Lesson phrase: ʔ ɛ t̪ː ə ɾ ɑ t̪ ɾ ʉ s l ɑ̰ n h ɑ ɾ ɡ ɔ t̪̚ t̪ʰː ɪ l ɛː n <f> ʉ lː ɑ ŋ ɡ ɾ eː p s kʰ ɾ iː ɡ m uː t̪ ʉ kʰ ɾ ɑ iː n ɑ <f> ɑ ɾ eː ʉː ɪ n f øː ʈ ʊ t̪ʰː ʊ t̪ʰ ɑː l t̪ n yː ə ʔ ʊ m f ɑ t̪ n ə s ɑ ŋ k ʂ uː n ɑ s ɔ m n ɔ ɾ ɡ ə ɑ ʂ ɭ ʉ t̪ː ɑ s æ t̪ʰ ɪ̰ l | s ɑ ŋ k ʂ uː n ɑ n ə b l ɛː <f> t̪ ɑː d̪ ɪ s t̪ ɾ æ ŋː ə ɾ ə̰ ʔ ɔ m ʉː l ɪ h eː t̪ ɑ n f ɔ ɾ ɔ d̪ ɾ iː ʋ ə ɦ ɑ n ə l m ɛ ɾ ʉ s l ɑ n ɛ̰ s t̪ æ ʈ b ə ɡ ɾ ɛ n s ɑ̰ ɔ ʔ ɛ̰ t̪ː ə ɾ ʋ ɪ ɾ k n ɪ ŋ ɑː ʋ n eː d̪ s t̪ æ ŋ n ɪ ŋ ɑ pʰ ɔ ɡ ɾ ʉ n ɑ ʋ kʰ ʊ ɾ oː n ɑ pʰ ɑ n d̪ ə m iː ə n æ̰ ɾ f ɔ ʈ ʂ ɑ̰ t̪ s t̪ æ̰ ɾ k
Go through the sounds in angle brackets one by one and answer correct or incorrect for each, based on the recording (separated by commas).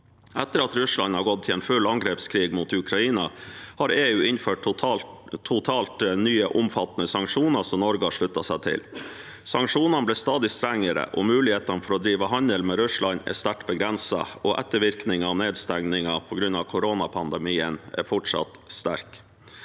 correct, incorrect, incorrect